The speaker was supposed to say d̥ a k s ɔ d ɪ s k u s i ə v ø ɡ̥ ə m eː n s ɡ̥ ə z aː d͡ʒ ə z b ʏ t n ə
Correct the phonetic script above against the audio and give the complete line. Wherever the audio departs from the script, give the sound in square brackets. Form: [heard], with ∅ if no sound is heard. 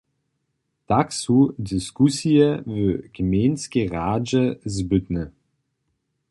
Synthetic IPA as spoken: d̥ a k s [u] d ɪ s k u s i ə v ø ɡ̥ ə m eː n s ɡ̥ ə [ʁ] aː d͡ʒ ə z b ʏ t n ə

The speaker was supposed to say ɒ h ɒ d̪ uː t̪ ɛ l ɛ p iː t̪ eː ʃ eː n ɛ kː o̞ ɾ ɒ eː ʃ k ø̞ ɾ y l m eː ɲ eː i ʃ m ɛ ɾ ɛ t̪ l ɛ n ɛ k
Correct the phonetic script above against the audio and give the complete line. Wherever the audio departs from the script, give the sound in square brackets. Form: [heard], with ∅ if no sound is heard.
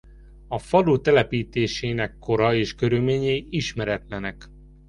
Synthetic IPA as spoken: ɒ [f] ɒ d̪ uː t̪ ɛ l ɛ p iː t̪ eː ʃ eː n ɛ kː o̞ ɾ ɒ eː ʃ k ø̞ ɾ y l m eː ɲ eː i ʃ m ɛ ɾ ɛ t̪ l ɛ n ɛ k

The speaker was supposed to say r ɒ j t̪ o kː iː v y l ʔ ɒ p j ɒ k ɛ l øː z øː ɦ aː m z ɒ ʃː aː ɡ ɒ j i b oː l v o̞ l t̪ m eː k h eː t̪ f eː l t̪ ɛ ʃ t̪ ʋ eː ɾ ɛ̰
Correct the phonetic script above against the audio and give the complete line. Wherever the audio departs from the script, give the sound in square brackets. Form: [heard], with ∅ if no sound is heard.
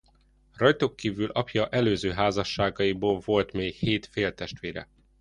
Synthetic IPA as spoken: r ɒ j t̪ o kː iː v y l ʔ ɒ p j ɒ [ʔ] ɛ l øː z øː ɦ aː [∅] z ɒ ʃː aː ɡ ɒ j i b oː l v o̞ l t̪ m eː k h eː t̪ f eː l t̪ ɛ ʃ t̪ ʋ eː ɾ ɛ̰

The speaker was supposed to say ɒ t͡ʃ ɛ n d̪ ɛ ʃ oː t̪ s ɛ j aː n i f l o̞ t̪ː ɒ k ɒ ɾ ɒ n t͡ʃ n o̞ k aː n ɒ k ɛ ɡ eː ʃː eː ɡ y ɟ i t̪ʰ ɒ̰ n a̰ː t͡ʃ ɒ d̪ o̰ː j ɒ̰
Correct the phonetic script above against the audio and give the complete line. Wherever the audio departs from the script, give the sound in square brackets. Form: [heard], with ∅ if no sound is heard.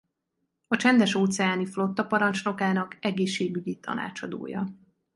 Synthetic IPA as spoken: ɒ t͡ʃ ɛ n d̪ ɛ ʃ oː t̪ s ɛ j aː n i f l o̞ t̪ː ɒ [p] ɒ ɾ ɒ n t͡ʃ n o̞ k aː n ɒ k ɛ ɡ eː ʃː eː ɡ y ɟ i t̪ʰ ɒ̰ n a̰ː t͡ʃ ɒ d̪ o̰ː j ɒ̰

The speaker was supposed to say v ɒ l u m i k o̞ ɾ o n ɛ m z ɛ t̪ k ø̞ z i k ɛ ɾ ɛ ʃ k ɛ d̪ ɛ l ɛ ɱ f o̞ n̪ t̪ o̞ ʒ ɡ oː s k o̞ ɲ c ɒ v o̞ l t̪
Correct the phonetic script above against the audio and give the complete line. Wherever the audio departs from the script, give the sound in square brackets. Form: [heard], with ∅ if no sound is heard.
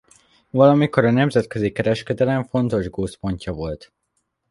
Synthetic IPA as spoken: v ɒ l [ɒ] m i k o̞ ɾ [ɒ] n ɛ m z ɛ t̪ k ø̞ z i k ɛ ɾ ɛ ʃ k ɛ d̪ ɛ l ɛ ɱ f o̞ n̪ t̪ o̞ ʒ ɡ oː s [p] o̞ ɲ c ɒ v o̞ l t̪

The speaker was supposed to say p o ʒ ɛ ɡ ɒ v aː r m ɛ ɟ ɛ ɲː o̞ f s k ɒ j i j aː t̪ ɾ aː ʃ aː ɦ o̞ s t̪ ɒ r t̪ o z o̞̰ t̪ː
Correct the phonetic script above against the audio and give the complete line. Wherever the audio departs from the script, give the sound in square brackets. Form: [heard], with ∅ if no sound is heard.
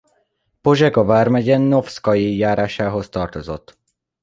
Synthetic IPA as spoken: p o ʒ ɛ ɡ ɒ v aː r m ɛ ɟ ɛ [nː] o̞ f s k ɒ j i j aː [∅] ɾ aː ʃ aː ɦ o̞ s t̪ ɒ r t̪ o z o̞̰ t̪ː

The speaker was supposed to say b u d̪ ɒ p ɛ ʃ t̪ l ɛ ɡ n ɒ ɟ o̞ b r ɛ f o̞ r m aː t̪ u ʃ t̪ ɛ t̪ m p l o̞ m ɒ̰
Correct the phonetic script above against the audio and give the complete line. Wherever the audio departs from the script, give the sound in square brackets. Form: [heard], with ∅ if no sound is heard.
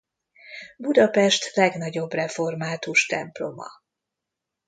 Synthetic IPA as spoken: b u d̪ ɒ p ɛ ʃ t̪ l ɛ ɡ n ɒ ɟ o̞ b r ɛ f o̞ r m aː t̪ u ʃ t̪ ɛ [∅] m p l o̞ m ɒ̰

